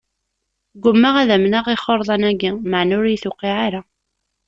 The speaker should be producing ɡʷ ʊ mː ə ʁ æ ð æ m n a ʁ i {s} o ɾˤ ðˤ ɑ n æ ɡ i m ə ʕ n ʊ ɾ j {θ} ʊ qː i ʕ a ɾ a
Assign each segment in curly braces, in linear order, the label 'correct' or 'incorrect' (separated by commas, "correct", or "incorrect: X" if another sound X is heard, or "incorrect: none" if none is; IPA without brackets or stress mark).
incorrect: χ, correct